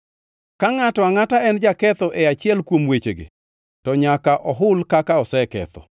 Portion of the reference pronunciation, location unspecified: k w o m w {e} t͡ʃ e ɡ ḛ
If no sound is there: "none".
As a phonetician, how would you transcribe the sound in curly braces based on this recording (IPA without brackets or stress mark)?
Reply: e